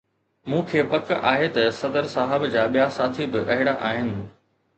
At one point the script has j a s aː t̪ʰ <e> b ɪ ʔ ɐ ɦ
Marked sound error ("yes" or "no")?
yes